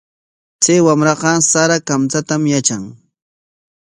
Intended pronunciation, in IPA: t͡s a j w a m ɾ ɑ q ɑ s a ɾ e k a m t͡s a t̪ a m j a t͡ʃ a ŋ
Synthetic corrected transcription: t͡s a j w a m ɾ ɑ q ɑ s a ɾ a k a m t͡s a t̪ a m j a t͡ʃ a ŋ